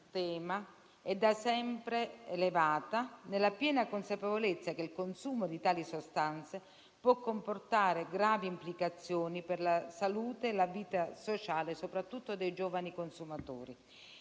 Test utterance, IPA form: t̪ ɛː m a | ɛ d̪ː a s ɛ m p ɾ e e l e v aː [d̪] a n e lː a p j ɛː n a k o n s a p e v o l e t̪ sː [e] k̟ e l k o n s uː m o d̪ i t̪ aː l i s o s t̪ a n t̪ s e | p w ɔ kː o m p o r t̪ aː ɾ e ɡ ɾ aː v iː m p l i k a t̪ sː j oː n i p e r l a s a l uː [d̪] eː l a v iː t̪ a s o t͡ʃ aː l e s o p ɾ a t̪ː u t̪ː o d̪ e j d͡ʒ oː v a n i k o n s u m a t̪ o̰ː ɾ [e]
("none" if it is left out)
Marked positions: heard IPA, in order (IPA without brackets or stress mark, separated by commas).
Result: t̪, a, t̪, i